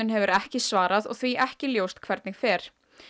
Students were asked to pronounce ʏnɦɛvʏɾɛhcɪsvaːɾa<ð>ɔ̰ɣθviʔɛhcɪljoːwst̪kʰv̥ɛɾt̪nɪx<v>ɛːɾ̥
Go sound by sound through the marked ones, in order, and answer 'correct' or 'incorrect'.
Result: correct, incorrect

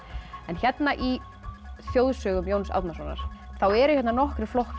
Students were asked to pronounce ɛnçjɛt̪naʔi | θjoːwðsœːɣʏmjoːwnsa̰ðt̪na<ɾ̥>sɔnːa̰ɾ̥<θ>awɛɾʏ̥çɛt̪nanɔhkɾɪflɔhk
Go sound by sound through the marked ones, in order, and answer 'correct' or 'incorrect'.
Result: incorrect, correct

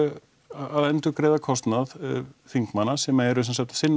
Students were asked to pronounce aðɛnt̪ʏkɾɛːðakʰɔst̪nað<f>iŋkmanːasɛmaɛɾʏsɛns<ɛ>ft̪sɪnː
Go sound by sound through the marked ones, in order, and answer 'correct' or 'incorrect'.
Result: correct, incorrect

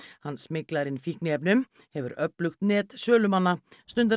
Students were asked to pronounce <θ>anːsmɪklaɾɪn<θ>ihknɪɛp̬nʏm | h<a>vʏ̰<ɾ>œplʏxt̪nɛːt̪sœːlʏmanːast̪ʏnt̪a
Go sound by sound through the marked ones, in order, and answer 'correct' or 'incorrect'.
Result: incorrect, incorrect, incorrect, correct

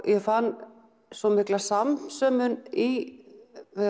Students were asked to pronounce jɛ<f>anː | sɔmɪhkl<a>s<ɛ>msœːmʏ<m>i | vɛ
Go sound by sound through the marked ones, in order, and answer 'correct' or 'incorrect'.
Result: correct, correct, incorrect, incorrect

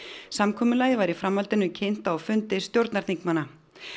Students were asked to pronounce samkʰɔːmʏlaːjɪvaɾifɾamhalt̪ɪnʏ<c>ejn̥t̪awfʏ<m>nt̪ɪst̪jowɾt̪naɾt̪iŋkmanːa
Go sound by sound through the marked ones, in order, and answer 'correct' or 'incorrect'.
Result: incorrect, incorrect

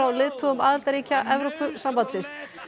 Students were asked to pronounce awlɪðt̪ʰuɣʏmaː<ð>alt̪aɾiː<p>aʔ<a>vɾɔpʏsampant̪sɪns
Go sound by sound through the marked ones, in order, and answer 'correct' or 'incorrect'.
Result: correct, incorrect, incorrect

